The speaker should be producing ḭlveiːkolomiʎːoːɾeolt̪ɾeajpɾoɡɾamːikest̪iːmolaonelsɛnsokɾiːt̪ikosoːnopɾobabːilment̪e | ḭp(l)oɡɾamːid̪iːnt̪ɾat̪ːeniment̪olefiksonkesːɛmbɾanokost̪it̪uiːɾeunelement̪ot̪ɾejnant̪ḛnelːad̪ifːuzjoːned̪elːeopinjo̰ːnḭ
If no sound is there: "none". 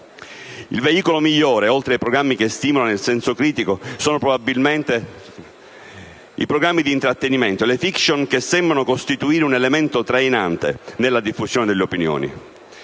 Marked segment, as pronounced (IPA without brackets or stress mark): ɾ